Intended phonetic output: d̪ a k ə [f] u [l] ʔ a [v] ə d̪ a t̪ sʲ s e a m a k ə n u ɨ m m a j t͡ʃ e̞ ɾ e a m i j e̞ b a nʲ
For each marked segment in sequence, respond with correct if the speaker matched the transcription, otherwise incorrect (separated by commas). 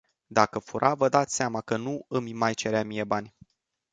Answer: correct, incorrect, correct